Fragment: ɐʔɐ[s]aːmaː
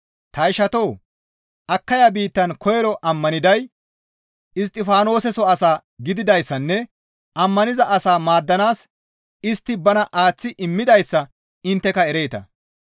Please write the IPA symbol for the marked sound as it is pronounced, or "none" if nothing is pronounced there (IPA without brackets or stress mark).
s